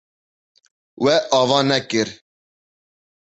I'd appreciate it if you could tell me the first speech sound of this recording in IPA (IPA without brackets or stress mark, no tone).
w